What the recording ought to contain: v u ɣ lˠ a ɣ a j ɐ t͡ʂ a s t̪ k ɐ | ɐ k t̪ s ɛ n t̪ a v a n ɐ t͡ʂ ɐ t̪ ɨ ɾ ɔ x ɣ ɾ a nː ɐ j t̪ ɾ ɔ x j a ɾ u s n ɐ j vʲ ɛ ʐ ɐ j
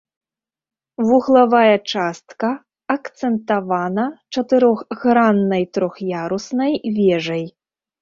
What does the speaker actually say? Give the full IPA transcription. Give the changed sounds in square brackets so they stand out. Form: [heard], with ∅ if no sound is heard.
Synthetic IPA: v u ɣ lˠ a [v] a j ɐ t͡ʂ a s t̪ k ɐ | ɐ k t̪ s ɛ n t̪ a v a n ɐ t͡ʂ ɐ t̪ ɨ ɾ ɔ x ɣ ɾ a nː ɐ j t̪ ɾ ɔ x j a ɾ u s n ɐ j vʲ ɛ ʐ ɐ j